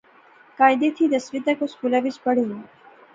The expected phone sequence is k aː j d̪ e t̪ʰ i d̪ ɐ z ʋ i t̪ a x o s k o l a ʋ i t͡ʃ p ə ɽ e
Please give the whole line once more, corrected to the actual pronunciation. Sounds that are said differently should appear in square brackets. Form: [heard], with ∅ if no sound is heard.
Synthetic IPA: k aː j d̪ e t̪ʰ i d̪ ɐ [s] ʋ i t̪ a [k] o s k [u] l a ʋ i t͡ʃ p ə ɽ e